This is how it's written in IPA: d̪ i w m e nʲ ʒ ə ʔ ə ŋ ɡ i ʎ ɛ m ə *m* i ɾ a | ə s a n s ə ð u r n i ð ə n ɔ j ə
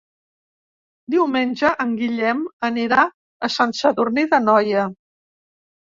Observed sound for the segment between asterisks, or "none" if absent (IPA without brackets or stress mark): n